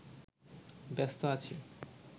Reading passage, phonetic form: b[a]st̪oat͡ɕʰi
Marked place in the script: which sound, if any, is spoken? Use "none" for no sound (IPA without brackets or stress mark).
ɛ